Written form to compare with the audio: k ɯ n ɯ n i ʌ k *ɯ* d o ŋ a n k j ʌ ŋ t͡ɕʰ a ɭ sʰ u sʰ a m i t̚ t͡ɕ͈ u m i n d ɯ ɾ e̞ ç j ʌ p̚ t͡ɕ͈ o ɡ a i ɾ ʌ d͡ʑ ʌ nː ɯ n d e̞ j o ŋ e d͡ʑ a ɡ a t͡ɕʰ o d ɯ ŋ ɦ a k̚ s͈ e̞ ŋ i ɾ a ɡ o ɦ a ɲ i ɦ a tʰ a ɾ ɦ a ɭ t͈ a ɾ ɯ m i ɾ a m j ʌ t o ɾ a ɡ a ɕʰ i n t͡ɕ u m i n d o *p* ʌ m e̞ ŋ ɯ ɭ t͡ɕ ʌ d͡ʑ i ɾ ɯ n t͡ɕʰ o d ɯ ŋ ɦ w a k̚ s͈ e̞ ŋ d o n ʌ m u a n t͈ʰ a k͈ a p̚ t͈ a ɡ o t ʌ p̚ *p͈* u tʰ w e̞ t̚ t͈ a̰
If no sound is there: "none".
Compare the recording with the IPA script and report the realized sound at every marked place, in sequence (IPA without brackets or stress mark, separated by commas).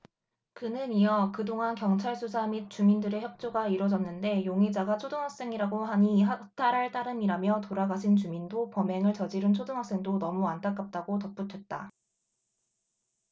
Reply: ɯ, p, p͈